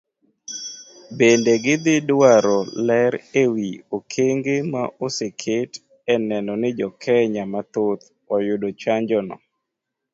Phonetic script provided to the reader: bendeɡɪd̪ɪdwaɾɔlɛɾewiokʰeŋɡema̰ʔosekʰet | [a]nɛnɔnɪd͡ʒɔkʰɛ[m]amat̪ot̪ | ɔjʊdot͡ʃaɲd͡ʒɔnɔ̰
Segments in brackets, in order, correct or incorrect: incorrect, incorrect

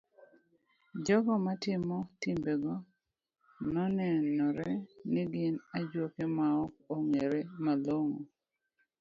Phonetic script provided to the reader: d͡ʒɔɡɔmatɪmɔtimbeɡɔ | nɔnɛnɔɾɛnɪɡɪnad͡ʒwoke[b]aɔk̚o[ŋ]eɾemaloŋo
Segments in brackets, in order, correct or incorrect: incorrect, correct

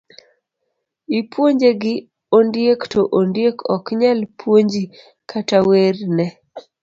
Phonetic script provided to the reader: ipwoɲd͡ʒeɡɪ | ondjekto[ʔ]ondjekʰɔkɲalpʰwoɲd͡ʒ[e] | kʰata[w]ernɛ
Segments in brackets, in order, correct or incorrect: correct, incorrect, correct

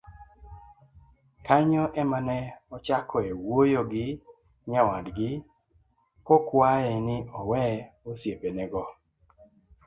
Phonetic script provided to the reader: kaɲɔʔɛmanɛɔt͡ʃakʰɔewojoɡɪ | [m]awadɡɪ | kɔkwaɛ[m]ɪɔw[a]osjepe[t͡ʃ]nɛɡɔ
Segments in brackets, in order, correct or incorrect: incorrect, incorrect, incorrect, incorrect

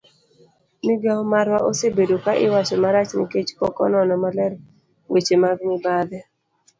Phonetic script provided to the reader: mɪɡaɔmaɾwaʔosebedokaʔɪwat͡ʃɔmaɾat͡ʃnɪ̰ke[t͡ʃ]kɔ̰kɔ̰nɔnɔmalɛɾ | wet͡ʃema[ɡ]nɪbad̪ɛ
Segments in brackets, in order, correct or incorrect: correct, correct

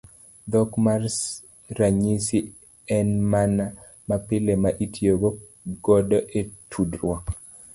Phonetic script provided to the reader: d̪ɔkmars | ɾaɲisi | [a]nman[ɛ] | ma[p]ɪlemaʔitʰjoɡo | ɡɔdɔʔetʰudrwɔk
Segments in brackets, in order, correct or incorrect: incorrect, incorrect, correct

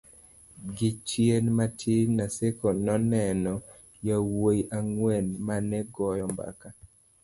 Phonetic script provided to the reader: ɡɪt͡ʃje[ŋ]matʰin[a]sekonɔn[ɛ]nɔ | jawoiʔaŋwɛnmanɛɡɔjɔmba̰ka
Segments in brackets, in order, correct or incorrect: incorrect, correct, correct

